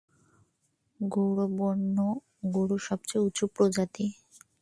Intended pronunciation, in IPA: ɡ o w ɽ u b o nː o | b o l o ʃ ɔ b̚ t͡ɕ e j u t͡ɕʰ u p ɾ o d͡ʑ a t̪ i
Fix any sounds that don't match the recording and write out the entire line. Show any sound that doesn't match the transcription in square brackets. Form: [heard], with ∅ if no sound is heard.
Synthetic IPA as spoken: ɡ o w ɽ [o] b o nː o | [ɡ] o [ɽ] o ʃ ɔ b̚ t͡ɕ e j u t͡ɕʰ u p ɾ o d͡ʑ a t̪ i